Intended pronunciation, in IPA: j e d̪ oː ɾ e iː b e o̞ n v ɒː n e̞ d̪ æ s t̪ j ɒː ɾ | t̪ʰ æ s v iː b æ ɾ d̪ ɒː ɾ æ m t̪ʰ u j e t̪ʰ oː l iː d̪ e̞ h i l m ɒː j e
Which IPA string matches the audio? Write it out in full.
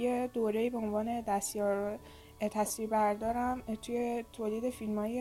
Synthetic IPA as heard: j e d̪ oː ɾ e iː b e o̞ n v ɒː n e̞ d̪ æ s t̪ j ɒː ɾ | t̪ʰ æ s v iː b æ ɾ d̪ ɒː ɾ æ m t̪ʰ u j e t̪ʰ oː l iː d̪ e̞ f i l m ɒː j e